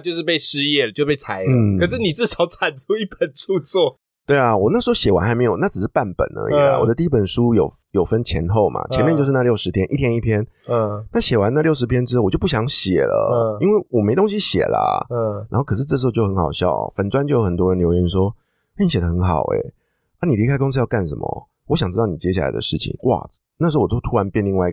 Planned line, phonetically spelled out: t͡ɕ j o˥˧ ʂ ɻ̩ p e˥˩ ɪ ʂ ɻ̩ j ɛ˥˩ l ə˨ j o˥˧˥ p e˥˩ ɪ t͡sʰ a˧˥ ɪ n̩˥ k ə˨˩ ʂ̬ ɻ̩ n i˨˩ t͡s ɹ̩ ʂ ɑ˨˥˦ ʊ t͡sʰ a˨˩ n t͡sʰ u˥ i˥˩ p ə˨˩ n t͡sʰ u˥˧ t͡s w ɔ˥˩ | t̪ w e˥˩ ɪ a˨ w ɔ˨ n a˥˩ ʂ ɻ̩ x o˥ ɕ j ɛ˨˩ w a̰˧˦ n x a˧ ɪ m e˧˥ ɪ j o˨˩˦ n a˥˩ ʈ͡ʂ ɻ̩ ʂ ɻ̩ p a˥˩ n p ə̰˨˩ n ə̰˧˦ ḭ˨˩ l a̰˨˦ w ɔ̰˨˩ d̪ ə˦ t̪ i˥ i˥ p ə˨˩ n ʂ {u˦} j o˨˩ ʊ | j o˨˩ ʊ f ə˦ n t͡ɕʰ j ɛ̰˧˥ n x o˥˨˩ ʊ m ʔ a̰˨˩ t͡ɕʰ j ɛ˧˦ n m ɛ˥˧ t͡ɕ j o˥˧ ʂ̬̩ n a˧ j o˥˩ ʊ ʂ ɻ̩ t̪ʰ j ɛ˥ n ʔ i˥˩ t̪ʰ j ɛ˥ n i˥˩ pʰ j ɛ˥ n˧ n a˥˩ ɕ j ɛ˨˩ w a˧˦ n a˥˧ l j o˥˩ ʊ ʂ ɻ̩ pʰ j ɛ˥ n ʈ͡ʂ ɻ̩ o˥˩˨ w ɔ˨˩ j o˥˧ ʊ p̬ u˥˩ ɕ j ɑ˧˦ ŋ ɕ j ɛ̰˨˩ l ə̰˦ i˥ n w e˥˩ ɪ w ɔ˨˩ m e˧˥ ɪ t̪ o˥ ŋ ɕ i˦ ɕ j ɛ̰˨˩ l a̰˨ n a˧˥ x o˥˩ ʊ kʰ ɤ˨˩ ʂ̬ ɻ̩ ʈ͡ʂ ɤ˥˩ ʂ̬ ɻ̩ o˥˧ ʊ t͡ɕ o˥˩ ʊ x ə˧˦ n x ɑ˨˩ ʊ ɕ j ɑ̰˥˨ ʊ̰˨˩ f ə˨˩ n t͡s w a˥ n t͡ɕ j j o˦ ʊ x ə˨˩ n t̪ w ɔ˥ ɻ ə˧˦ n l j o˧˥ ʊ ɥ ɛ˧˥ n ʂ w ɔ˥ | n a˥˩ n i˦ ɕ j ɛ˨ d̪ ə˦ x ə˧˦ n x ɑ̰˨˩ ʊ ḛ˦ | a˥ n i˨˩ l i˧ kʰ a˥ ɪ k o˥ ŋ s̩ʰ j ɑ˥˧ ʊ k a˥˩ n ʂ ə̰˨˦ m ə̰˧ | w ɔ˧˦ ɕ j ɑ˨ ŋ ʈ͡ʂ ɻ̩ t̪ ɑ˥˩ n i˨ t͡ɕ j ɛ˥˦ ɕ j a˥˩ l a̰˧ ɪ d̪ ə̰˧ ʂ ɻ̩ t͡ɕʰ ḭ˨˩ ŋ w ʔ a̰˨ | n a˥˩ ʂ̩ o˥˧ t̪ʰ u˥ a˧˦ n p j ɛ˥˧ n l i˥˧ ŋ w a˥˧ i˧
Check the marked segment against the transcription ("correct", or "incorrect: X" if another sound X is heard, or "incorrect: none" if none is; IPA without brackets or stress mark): correct